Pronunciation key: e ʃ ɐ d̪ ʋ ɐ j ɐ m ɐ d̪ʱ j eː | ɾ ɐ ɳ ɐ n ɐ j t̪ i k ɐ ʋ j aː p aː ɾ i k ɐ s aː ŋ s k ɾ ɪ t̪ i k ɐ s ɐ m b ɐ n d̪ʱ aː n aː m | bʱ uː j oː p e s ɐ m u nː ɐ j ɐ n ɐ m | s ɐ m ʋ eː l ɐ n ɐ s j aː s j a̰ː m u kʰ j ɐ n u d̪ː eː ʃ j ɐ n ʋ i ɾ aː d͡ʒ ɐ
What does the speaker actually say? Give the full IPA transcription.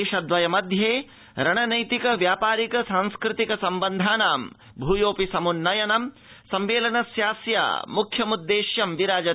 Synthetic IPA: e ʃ ɐ d̪ ʋ ɐ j ɐ m ɐ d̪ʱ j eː | ɾ ɐ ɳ ɐ n ɐ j t̪ i k ɐ ʋ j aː p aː ɾ i k ɐ s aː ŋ s k ɾ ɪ t̪ i k ɐ s ɐ m b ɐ n d̪ʱ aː n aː m | bʱ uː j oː p i s ɐ m u nː ɐ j ɐ n ɐ m | s ɐ m ʋ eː l ɐ n ɐ s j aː s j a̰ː m u kʰ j ɐ m u d̪ː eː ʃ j ɐ m ʋ i ɾ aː d͡ʒ ɐ